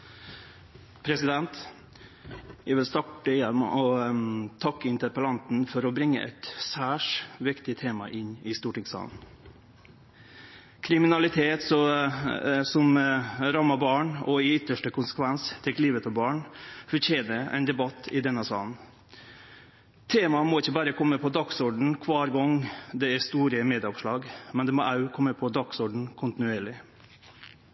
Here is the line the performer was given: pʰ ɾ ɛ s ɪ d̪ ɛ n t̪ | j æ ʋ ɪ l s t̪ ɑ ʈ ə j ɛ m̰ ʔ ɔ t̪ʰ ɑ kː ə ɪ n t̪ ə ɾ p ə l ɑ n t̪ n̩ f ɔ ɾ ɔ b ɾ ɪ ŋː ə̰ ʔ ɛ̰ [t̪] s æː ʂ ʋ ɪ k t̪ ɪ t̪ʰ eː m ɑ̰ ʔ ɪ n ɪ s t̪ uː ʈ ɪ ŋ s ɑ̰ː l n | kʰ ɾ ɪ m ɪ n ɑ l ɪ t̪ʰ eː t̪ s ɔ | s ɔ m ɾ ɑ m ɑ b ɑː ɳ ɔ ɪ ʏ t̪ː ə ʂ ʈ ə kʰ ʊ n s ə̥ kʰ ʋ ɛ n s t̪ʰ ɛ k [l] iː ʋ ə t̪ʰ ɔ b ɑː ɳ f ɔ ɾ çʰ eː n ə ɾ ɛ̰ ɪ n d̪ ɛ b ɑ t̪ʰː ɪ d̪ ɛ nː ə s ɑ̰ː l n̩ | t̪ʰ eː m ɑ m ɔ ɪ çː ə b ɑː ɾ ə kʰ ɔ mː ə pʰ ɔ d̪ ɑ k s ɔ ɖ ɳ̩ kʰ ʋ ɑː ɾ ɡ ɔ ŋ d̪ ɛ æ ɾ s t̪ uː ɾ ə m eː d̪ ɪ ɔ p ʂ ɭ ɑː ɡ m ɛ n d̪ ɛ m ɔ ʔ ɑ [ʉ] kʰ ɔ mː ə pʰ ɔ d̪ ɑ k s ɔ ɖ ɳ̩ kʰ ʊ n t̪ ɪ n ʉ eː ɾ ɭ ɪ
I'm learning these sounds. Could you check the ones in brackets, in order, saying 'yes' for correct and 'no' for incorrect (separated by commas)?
yes, yes, yes